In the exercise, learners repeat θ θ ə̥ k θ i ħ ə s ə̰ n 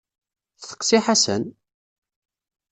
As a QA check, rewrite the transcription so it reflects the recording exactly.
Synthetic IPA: θ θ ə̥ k s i ħ a s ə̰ n